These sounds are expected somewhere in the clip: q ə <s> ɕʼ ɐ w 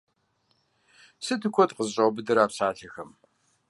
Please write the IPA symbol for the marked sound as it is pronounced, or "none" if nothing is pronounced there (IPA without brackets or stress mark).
z